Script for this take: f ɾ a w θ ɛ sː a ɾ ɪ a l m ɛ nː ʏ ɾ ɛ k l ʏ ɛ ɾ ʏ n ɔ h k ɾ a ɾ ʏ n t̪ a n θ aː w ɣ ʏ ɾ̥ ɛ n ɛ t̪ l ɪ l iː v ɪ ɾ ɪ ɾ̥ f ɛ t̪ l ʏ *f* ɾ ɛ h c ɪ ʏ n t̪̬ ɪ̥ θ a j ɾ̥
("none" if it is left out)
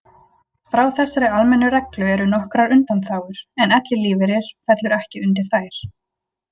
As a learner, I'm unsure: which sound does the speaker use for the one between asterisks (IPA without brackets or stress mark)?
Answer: none